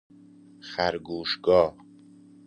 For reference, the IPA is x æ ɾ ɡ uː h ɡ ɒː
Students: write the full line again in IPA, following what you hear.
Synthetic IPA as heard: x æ ɾ ɡ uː ʃ ɡ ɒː